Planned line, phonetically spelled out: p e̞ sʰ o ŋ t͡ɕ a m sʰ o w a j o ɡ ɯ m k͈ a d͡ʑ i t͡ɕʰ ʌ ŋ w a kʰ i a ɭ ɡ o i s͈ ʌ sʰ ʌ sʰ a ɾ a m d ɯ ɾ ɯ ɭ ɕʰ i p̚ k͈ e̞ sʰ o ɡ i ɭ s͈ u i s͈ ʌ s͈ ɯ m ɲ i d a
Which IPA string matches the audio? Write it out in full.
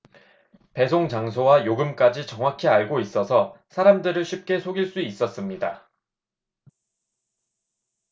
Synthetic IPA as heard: p e̞ sʰ o ŋ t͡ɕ a ŋ sʰ o w a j o ɡ ɯ m k͈ a d͡ʑ i t͡ɕ ʌ ŋ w a kʰ i a ɭ ɡ o i s͈ ʌ sʰ ʌ sʰ a ɾ a m d ɯ ɾ ɯ ɭ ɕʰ i p̚ k͈ e̞ sʰ o ɡ i ɭ s͈ u i s͈ ʌ s͈ ɯ m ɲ i d a